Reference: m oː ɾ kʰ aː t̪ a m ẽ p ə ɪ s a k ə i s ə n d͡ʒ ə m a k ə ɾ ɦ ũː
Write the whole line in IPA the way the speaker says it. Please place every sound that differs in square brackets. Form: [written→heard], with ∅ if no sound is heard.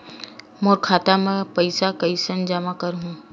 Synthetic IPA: m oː ɾ kʰ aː t̪ a m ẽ p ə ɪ s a k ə i s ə n d͡ʒ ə m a k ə ɾ ɦ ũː